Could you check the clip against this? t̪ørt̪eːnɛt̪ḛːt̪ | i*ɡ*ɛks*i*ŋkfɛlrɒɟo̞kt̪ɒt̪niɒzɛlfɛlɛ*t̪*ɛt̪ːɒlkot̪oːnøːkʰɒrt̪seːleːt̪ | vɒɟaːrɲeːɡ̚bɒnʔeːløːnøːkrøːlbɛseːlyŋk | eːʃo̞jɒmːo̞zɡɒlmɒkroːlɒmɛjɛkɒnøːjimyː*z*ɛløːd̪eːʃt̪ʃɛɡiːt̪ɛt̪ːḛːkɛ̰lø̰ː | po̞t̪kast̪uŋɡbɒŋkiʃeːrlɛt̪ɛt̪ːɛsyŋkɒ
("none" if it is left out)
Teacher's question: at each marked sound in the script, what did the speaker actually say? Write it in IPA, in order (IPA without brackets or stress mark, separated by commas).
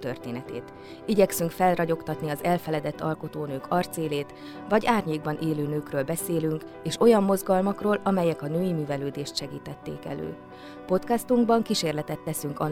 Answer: ɟ, y, d̪, v